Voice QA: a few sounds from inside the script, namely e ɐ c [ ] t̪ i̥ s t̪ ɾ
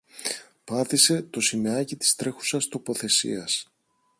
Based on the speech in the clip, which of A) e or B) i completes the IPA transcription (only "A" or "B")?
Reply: B